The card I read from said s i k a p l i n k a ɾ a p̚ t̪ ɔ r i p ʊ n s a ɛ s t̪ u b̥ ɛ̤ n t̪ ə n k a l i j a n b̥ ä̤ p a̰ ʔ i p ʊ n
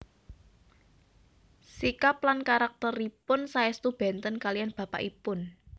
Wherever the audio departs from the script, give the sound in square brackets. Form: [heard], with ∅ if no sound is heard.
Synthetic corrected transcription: s i k a p l [a] n k a ɾ a [k̚] t̪ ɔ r i p ʊ n s a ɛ s t̪ u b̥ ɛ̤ n t̪ ə n k a l i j a n b̥ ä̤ p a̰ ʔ i p ʊ n

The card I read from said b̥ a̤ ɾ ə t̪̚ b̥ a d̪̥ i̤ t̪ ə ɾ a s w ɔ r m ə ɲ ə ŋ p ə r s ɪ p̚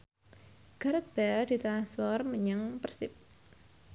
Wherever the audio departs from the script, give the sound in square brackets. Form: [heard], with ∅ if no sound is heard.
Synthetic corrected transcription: [ɡ̥] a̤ ɾ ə t̪̚ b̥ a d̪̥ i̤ t̪ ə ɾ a s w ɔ r m ə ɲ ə ŋ p ə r s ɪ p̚

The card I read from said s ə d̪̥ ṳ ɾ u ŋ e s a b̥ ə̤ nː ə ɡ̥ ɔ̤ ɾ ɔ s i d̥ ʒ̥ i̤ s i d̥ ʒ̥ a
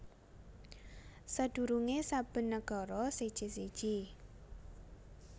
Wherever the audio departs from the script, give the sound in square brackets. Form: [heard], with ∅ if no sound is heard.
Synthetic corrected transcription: s ə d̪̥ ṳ ɾ u ŋ e s a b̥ ə̤ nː ə ɡ̥ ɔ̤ ɾ ɔ s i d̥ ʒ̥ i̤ s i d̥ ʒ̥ [i]

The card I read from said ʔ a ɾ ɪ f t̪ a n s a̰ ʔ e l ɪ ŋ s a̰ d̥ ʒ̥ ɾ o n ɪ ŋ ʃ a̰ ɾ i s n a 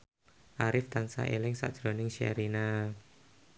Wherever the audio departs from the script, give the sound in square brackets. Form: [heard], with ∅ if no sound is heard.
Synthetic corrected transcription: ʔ a ɾ ɪ f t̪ a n s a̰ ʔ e l ɪ ŋ s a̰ d̥ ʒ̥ ɾ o n ɪ ŋ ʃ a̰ ɾ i [∅] n a

